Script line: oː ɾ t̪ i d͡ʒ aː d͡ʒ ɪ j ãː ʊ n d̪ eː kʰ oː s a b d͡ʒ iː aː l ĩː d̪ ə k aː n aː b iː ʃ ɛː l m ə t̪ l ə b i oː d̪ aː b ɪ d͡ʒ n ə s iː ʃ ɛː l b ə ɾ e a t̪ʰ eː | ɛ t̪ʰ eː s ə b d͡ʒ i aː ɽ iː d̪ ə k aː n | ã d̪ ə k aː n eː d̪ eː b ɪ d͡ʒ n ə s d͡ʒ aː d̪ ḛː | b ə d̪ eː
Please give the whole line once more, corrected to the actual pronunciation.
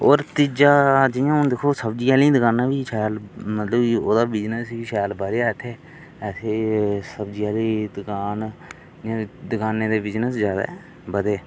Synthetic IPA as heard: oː ɾ t̪ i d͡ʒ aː d͡ʒ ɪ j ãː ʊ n d̪ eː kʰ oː s ə b d͡ʒ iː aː l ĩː d̪ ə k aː n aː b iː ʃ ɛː l m ə t̪ l ə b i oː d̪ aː b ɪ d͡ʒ n ə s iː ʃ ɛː l b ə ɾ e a t̪ʰ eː | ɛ t̪ʰ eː s ə b d͡ʒ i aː l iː d̪ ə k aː n | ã d̪ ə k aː n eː d̪ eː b ɪ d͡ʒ n ə s d͡ʒ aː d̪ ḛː | b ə d̪ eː